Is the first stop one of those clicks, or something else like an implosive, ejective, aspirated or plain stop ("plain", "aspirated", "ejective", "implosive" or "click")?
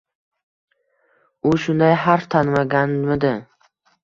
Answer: plain